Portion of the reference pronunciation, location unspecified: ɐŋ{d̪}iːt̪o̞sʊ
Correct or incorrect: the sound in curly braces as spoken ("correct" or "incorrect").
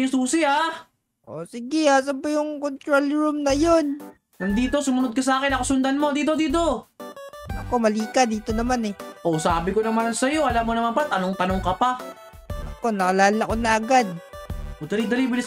correct